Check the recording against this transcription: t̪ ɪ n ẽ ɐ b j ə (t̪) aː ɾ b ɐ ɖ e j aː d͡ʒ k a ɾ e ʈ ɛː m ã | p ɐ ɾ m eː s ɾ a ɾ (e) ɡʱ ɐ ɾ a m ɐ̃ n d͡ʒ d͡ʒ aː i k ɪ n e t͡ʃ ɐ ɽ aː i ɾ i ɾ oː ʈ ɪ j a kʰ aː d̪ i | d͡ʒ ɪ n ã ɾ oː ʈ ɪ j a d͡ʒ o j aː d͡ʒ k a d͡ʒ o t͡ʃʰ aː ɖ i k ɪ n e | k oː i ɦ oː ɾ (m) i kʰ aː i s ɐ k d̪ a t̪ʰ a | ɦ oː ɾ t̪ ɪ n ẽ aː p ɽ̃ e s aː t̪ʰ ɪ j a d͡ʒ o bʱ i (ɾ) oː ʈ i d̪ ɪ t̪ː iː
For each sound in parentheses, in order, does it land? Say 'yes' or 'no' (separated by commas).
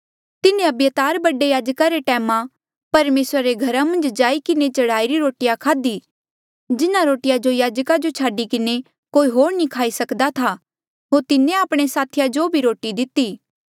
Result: yes, yes, no, yes